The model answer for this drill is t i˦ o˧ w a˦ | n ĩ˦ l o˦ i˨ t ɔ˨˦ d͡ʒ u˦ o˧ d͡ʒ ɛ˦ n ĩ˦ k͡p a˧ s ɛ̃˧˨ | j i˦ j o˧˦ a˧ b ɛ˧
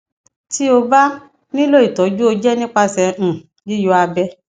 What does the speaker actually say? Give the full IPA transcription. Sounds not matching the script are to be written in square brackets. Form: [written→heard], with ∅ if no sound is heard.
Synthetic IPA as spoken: t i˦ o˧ [w→b] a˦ | n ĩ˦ l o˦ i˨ t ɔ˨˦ d͡ʒ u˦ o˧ d͡ʒ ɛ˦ n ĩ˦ k͡p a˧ s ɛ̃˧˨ | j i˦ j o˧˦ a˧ b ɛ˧